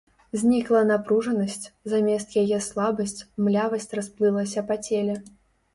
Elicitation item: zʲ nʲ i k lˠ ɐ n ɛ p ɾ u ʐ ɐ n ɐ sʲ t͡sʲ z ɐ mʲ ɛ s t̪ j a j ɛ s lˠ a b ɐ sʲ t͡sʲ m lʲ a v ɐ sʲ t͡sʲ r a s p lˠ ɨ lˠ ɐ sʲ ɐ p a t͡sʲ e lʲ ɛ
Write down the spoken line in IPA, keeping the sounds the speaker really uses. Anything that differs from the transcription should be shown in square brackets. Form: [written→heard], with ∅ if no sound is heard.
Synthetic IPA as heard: zʲ nʲ i k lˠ ɐ n [ɛ→a] p ɾ u ʐ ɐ n ɐ sʲ t͡sʲ z [ɐ→a] mʲ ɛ s t̪ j a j ɛ s lˠ a b ɐ sʲ t͡sʲ m lʲ a v ɐ sʲ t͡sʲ r a s p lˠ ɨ lˠ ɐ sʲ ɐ p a t͡sʲ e lʲ ɛ